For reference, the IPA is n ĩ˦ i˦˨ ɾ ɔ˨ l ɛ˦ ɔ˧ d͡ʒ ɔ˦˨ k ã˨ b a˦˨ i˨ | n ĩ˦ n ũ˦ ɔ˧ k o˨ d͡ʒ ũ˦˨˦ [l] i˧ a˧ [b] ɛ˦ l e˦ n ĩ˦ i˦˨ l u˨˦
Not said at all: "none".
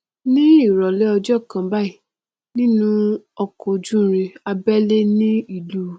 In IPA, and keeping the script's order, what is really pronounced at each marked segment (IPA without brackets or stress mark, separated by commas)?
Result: ɾ, b